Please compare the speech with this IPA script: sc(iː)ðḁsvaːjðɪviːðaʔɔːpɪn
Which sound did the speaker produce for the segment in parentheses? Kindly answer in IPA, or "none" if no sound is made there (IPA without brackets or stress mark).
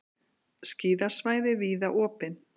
iː